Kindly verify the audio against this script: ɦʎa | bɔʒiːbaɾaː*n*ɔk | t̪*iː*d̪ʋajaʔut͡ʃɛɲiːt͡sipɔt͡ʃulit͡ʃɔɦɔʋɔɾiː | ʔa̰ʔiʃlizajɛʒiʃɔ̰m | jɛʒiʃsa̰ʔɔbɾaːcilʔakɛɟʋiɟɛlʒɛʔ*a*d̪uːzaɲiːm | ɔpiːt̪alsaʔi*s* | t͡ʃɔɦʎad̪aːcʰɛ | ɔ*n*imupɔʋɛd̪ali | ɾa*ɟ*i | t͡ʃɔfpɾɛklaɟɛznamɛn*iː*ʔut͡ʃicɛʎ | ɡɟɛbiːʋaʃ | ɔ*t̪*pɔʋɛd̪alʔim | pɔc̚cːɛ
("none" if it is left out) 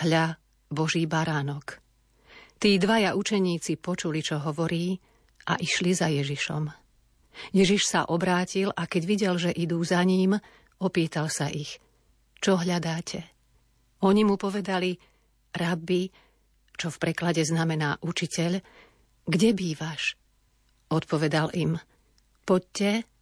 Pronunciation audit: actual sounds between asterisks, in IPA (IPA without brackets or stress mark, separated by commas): n, iː, i, x, ɲ, b, aː, t̪